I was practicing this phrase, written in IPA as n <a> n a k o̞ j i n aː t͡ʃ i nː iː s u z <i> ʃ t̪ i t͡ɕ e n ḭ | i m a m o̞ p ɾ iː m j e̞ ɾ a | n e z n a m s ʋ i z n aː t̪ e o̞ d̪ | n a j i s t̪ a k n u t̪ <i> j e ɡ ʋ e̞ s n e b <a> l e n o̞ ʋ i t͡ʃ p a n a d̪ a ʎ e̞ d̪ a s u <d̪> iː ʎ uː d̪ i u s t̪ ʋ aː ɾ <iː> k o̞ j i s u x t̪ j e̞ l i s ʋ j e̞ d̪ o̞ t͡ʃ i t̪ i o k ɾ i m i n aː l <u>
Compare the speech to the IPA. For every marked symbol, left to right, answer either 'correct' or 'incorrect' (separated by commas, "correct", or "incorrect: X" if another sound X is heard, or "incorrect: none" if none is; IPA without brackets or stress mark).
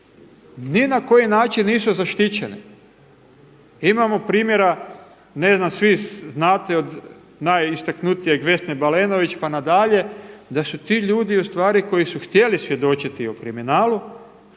incorrect: i, incorrect: a, correct, correct, incorrect: t̪, incorrect: i, correct